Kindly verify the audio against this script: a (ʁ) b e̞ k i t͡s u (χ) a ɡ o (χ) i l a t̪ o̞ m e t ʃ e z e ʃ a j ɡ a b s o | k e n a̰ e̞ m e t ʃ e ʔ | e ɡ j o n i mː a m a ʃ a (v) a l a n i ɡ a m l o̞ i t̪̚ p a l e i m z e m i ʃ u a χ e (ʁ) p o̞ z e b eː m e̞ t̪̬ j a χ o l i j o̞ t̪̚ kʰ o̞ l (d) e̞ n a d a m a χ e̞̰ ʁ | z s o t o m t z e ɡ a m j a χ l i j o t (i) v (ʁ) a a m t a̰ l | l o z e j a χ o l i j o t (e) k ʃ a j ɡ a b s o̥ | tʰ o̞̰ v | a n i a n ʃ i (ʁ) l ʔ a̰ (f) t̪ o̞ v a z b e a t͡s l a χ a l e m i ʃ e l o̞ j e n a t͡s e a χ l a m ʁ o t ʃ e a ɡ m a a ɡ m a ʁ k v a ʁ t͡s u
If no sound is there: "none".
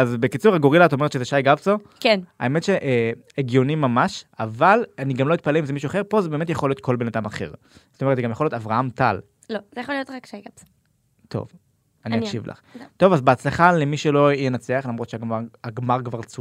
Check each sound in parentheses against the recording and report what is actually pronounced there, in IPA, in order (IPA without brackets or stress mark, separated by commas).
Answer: z, ʁ, ʁ, v, ʁ, b, a, ʁ, a, v, χ